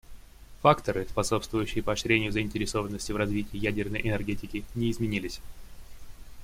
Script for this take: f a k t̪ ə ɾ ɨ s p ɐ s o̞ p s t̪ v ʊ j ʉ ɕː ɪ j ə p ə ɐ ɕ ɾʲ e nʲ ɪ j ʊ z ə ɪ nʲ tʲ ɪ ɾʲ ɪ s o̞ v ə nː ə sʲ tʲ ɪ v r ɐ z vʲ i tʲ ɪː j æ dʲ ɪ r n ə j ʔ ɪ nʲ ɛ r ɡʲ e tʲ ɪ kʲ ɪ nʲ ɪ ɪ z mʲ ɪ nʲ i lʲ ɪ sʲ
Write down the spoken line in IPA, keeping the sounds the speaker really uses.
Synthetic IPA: f a k t̪ ə ɾ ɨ s p ɐ s o̞ p s t̪ v ʊ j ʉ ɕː ɪ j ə p ə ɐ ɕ ɾʲ e nʲ ɪ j ʊ z ə ɪ nʲ tʲ ɪ ɾʲ ɪ s o̞ v ə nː ə sʲ tʲ ɪ v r ɐ z vʲ i tʲ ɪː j æ dʲ ɪ r n ə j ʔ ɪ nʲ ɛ r ɡʲ e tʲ ɪ kʲ ɪ nʲ ɪ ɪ z mʲ ɪ nʲ i lʲ ɪ sʲ